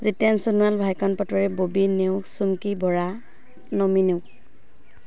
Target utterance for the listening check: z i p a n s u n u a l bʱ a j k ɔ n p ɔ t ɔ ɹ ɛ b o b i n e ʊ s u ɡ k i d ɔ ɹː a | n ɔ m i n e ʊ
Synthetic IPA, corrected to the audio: z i t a n s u n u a l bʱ a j k ɔ n p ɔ t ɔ ɹ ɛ b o b i n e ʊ s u ŋ k i b ɔ ɹ a | n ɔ m i n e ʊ